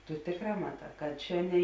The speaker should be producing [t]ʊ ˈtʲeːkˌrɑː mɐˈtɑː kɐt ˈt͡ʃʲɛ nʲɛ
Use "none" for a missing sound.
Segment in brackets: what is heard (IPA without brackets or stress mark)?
t